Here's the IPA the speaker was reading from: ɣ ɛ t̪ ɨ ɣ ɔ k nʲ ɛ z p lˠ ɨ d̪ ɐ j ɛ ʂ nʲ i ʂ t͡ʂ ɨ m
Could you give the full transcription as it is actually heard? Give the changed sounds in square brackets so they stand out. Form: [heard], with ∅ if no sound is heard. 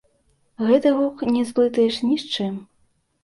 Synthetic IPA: ɣ ɛ t̪ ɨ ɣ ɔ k nʲ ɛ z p lˠ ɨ [t̪] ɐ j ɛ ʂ nʲ i ʂ t͡ʂ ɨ m